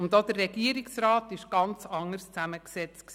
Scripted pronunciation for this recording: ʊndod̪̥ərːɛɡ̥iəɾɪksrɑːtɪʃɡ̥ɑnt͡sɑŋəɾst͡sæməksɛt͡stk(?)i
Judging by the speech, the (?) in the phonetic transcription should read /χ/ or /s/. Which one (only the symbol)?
s